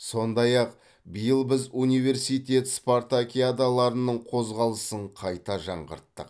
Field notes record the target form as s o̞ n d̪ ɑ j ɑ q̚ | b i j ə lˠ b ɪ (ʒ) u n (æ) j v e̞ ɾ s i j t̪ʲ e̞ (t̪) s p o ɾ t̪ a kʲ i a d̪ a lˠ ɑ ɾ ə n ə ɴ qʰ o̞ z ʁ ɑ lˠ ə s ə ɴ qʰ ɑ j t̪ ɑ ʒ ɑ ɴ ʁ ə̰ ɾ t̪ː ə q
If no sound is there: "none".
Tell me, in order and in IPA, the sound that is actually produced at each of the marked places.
z, i, t̪

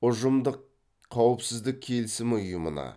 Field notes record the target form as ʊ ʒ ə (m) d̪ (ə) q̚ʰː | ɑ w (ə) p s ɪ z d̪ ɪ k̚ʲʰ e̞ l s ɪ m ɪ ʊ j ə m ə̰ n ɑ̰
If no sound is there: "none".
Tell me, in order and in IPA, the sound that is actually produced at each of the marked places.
m, ə, ə

